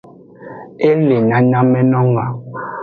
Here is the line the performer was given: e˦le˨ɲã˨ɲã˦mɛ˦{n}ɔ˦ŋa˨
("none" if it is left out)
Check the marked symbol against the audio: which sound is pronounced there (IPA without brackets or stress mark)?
n